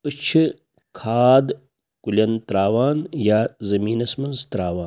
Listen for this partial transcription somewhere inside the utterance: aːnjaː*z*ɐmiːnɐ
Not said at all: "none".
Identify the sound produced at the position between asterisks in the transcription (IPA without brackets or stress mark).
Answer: z